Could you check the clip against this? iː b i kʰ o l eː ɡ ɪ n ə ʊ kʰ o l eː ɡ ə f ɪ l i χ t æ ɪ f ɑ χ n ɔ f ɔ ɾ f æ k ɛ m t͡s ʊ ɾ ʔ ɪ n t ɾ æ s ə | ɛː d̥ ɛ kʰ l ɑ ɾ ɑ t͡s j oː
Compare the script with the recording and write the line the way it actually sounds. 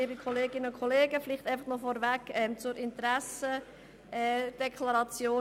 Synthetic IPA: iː b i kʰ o l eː ɡ ɪ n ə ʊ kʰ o l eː ɡ ə f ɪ l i χ t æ ɪ f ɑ χ n ɔ f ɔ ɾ v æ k ɛ m t͡s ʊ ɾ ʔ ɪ n t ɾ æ s ə | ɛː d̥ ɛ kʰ l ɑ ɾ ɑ t͡s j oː